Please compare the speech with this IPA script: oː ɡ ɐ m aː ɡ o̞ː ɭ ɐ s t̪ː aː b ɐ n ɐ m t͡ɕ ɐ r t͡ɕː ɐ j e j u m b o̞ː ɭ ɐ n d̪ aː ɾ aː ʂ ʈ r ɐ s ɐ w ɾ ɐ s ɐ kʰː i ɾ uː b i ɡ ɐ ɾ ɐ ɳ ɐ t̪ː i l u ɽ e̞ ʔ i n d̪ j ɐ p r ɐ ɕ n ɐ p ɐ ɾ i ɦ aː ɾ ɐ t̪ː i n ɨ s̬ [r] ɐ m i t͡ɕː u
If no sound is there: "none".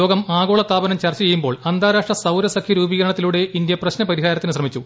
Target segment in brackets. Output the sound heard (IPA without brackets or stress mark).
r